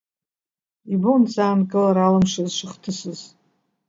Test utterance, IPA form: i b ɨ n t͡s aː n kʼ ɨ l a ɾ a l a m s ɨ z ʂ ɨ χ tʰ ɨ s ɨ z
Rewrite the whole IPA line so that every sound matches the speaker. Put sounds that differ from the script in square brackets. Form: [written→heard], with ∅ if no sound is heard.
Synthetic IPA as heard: i b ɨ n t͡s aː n kʼ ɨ l a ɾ a l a m [s→ʂ] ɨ z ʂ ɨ χ tʰ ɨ s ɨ z